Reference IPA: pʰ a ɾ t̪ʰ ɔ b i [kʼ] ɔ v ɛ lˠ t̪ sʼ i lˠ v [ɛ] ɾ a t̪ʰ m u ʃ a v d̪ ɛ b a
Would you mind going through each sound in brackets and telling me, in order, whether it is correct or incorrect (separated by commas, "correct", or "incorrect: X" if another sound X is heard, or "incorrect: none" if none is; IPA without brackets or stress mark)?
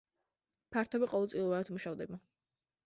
incorrect: qʼ, incorrect: a